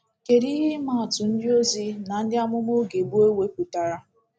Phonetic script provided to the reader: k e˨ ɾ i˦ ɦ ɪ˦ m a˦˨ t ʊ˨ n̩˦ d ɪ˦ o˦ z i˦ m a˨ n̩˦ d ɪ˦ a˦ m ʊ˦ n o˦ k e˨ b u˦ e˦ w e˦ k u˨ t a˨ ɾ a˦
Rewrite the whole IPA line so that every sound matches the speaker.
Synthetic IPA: k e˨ ɾ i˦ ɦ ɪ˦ m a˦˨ t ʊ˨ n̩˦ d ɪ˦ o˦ z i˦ n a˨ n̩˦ d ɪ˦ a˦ m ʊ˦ m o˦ ɡ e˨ b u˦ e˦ w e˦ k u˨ t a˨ ɾ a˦